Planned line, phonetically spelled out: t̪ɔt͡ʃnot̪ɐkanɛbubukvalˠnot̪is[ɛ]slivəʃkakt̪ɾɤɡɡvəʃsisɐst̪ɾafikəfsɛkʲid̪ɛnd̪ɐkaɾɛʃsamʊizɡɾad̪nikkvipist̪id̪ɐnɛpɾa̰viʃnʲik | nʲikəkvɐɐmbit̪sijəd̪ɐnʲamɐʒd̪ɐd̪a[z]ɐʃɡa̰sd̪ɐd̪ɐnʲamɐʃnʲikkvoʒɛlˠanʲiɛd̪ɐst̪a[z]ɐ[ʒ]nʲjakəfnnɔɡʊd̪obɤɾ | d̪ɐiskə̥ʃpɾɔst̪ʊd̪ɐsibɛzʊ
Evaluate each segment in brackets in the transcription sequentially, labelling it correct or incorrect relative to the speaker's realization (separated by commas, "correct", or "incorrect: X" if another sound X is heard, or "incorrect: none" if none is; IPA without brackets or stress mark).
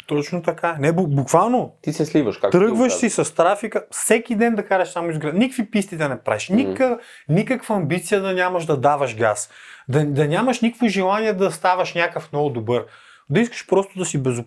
correct, incorrect: v, incorrect: v, incorrect: ʃ